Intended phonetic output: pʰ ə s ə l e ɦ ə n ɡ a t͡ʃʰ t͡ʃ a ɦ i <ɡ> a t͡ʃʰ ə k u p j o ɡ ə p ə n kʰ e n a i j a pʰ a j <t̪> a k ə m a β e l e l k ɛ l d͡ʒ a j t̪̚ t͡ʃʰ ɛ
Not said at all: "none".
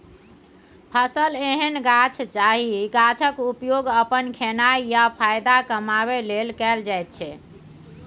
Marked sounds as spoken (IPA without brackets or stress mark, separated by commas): ɡ, d̪